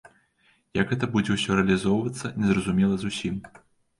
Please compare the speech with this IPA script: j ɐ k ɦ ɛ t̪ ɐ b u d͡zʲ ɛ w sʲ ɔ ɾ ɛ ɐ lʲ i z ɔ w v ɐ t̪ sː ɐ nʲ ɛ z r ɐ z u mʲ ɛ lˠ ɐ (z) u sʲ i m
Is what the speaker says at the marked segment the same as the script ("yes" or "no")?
yes